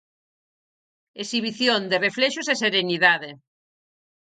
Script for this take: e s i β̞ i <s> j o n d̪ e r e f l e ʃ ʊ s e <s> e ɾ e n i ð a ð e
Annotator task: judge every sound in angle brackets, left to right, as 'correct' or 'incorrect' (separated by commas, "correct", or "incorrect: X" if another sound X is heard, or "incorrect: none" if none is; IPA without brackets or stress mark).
incorrect: θ, correct